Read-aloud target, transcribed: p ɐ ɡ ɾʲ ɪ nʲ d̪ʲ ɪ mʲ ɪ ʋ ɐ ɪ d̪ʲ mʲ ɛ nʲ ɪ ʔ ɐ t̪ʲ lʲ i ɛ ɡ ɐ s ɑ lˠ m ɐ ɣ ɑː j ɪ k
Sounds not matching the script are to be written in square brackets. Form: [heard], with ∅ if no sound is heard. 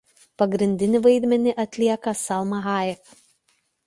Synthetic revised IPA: p ɐ ɡ ɾʲ ɪ nʲ d̪ʲ ɪ [nʲ] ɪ ʋ ɐ ɪ d̪ʲ mʲ ɛ nʲ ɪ ʔ ɐ t̪ʲ lʲ i ɛ [k] ɐ s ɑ lˠ m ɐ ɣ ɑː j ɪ k

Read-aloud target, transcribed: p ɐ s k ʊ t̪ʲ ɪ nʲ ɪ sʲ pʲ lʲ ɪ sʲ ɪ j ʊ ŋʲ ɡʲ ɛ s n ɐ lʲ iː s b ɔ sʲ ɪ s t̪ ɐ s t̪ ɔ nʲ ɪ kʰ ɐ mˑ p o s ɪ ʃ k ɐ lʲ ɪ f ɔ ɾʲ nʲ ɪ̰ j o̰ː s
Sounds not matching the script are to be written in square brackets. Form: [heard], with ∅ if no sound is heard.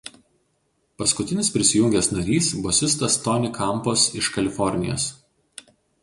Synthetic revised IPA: p ɐ s k ʊ t̪ʲ ɪ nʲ ɪ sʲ pʲ [ɾʲ] ɪ sʲ ɪ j ʊ ŋʲ ɡʲ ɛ s n ɐ [ɾʲ] iː s b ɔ sʲ ɪ s t̪ ɐ s t̪ ɔ nʲ ɪ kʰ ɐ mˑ p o s ɪ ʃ k ɐ lʲ ɪ f ɔ ɾʲ nʲ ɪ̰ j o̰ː s

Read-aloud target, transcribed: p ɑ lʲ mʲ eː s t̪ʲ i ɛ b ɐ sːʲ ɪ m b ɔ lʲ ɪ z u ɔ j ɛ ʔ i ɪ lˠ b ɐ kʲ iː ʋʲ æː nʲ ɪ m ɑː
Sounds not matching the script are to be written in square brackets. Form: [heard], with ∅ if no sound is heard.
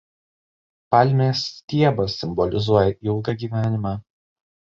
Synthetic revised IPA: p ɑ lʲ mʲ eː s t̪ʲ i ɛ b ɐ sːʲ ɪ m b ɔ lʲ ɪ z u ɔ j ɛ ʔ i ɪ lˠ [ɡ] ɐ [ɡʲ] iː ʋʲ æː nʲ ɪ m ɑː

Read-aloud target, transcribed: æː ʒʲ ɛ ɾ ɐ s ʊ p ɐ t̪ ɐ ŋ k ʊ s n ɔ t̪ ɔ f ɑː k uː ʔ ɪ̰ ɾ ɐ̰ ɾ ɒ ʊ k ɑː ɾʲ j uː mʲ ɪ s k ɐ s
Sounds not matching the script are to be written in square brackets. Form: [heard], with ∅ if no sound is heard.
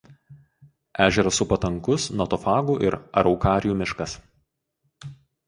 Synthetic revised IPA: æː ʒʲ ɛ ɾ ɐ s ʊ p ɐ t̪ ɐ ŋ k ʊ s n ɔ t̪ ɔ f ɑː [ɡ] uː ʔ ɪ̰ ɾ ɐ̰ ɾ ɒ ʊ k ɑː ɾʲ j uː mʲ ɪ [ʃ] k ɐ s

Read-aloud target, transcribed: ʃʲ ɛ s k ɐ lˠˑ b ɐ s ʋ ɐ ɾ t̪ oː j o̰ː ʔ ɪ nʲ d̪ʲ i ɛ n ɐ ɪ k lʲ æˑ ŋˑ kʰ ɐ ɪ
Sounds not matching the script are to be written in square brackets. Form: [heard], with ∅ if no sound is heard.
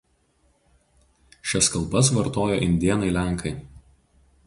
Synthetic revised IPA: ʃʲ ɛ s k ɐ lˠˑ b ɐ s ʋ ɐ ɾ t̪ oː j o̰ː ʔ ɪ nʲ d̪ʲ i ɛ n ɐ ɪ [∅] lʲ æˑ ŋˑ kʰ ɐ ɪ

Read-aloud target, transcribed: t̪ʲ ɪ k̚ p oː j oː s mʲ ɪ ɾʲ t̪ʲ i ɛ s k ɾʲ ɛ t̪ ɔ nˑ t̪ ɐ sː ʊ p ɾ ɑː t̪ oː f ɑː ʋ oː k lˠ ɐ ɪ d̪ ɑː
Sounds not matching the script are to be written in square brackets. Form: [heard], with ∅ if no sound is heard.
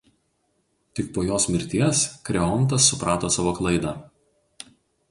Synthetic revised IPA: t̪ʲ ɪ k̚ p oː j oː s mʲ ɪ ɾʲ t̪ʲ i ɛ s k ɾʲ ɛ [∅] ɔ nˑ t̪ ɐ sː ʊ p ɾ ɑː t̪ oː [s] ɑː ʋ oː k lˠ ɐ ɪ d̪ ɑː

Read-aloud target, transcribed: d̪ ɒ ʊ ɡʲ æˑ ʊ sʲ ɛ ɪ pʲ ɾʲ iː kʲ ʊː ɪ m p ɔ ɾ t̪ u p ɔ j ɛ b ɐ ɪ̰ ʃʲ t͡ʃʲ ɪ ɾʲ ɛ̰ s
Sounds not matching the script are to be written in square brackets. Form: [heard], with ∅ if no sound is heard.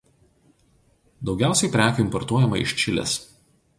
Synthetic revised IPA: d̪ ɒ ʊ ɡʲ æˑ ʊ sʲ ɛ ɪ pʲ ɾʲ [æː] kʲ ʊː ɪ m p ɔ ɾ t̪ u [∅] ɔ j ɛ [m] ɐ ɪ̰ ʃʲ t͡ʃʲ ɪ [lʲ] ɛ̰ s

